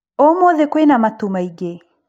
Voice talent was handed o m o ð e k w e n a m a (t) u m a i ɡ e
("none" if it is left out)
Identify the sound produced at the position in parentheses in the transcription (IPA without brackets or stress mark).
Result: t